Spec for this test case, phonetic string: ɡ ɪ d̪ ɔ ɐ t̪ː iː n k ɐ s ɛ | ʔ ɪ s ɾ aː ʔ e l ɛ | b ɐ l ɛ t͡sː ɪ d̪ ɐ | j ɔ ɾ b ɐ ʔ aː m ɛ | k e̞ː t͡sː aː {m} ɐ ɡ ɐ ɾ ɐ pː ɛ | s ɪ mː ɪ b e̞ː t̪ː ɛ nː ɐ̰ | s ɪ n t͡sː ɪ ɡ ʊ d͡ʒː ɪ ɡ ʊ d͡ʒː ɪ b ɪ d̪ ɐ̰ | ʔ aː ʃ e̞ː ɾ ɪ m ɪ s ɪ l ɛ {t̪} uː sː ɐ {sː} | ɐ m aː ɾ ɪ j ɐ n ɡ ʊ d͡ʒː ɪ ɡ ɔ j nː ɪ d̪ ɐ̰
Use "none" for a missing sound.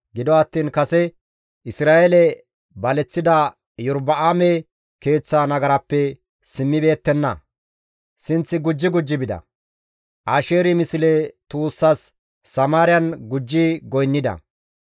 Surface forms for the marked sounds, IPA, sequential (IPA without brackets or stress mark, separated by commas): n, t̪, sː